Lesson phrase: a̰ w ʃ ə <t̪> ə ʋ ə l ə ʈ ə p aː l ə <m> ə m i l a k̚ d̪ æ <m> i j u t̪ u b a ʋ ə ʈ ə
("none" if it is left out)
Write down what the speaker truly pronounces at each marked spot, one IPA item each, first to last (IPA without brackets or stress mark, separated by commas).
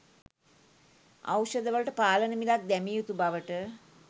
d̪, n, m